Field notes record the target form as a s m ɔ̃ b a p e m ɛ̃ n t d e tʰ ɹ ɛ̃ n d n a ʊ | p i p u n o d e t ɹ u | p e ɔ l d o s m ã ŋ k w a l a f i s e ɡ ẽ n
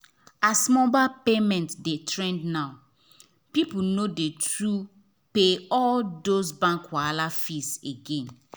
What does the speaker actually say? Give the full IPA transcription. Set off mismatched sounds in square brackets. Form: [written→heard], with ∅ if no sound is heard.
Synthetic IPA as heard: a s m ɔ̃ b a p e m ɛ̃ n t d e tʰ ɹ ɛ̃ n d n a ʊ | p i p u n o d e t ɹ u | p e ɔ l d o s [m→b] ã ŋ k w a l a f i s e ɡ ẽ n